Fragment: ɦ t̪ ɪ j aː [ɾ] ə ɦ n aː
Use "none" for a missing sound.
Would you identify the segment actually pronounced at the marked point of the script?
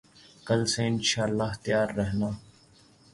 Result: ɾː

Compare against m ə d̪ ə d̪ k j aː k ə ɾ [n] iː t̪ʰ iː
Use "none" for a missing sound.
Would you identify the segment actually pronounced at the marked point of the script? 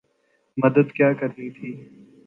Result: n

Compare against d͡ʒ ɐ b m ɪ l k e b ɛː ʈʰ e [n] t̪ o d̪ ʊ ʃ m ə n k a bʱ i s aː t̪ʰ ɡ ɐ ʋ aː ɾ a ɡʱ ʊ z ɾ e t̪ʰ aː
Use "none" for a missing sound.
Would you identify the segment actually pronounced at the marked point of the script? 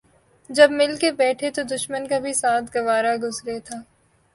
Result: none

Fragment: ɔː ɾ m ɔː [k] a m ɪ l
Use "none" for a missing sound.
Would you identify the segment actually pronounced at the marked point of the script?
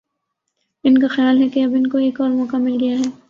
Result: k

